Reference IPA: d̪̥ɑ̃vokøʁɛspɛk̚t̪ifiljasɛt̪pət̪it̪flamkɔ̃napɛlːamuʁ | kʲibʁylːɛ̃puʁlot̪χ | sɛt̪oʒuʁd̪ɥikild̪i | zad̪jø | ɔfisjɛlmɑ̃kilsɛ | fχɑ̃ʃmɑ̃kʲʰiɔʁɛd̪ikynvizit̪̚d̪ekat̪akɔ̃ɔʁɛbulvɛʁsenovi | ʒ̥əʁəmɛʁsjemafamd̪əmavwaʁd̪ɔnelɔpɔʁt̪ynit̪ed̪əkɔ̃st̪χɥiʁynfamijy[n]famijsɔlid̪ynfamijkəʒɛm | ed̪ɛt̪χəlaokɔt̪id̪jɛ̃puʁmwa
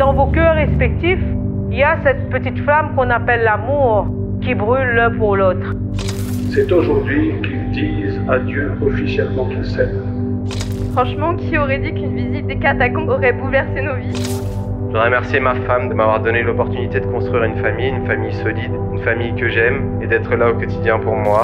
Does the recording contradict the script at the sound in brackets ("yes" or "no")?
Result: no